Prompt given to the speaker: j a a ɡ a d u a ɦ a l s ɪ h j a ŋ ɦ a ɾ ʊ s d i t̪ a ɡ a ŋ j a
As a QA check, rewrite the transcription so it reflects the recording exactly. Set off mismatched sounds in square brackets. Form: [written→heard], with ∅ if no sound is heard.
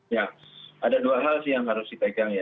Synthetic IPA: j a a [ɡ→d] a d u a ɦ a l s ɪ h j a ŋ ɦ a ɾ ʊ s d i t̪ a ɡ a ŋ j a